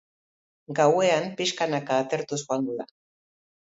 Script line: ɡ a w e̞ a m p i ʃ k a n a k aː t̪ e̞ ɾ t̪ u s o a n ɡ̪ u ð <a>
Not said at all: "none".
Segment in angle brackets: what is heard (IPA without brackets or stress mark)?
a